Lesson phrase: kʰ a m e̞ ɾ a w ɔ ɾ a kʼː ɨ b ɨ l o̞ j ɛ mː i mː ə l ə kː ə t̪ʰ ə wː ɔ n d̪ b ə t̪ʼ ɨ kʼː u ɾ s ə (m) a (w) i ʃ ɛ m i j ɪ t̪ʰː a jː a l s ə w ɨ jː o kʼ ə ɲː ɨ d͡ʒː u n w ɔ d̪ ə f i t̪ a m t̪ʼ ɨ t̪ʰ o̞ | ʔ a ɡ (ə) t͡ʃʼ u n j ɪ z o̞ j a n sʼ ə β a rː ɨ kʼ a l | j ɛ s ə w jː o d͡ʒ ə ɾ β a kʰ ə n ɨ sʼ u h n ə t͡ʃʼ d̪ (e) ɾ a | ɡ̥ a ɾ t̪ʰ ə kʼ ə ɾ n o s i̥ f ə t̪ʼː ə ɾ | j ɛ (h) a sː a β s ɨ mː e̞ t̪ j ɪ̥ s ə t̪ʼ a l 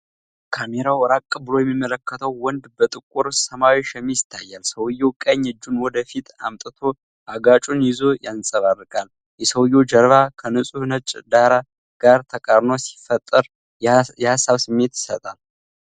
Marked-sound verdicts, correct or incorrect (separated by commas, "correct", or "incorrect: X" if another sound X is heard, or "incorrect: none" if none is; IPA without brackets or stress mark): correct, correct, incorrect: a, incorrect: a, correct